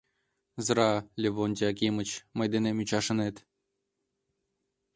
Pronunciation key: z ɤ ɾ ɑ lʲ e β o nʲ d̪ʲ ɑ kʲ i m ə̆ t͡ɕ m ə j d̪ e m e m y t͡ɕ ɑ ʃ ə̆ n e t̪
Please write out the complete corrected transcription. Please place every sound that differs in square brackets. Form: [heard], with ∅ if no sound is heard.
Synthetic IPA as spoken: z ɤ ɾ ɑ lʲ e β o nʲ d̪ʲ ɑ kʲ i m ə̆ t͡ɕ m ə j d̪ e [n] e m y t͡ɕ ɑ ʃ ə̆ n e t̪